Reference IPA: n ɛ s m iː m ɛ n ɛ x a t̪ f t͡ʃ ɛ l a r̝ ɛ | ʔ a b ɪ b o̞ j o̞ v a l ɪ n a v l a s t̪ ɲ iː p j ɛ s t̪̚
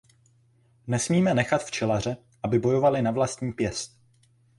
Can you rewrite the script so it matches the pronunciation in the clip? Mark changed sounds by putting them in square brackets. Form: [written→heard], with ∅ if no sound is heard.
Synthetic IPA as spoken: n ɛ s m iː m ɛ n ɛ x a t̪ f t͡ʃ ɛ l a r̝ ɛ | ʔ a b ɪ b o̞ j o̞ v a l ɪ n a v l a s t̪ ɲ iː p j ɛ s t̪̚